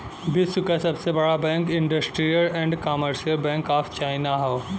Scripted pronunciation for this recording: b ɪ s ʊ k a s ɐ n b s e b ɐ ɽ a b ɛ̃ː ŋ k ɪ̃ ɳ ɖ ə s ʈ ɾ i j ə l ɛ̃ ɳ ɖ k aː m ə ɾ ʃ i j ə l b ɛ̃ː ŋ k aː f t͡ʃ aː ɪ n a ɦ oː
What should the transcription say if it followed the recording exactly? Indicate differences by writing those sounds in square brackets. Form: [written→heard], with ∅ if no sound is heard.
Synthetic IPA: b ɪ s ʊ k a s ɐ [n→∅] b s e b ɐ ɽ a b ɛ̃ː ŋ k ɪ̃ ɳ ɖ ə s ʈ ɾ i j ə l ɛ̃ ɳ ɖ k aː m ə ɾ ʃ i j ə l b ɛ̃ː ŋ k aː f t͡ʃ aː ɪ n a ɦ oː